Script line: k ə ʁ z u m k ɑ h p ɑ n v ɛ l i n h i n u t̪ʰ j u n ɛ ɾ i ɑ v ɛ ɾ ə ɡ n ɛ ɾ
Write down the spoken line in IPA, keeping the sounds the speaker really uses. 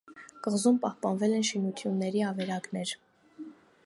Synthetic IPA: k ə ʁ z u m p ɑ h p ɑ n v ɛ l ɛ n ʃ i n u t̪ʰ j u nː ɛ ɾ i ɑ v ɛ ɾ ɑ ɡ n ɛ ɾ